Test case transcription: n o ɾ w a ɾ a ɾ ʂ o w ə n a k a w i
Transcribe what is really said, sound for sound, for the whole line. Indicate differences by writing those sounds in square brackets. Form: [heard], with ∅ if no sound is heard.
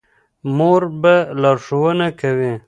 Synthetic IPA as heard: [m] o ɾ [b] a [l] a ɾ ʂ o w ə n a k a w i